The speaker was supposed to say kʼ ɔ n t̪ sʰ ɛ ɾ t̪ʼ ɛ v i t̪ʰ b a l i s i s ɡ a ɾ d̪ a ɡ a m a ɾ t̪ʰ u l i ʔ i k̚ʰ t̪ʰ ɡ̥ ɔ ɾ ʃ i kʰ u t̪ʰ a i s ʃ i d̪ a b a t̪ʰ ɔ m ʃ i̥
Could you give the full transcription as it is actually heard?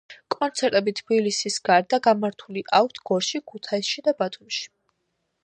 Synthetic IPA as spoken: kʼ ɔ n t̪ sʰ ɛ ɾ t̪ʼ ɛ b i t̪ʰ b i l i s i s ɡ a ɾ d̪ a ɡ a m a ɾ t̪ʰ u l i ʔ a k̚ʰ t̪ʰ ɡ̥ ɔ ɾ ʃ i kʰ u t̪ʰ a i s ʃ i d̪ a b a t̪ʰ u m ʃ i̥